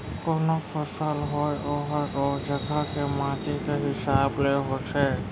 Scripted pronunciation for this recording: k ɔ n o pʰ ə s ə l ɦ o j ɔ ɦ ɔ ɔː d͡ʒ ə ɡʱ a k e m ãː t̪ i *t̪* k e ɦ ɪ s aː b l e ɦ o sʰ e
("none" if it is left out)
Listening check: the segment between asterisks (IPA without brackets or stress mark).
none